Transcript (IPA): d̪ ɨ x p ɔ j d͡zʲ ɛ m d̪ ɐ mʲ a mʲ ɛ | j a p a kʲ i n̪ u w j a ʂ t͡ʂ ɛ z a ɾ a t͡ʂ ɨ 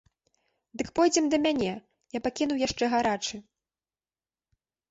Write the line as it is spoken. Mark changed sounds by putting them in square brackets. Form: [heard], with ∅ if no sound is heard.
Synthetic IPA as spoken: d̪ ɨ [k] p ɔ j d͡zʲ ɛ m d̪ ɐ mʲ a [nʲ] ɛ | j a p a kʲ i n̪ u w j a ʂ t͡ʂ ɛ [ɣ] a ɾ a t͡ʂ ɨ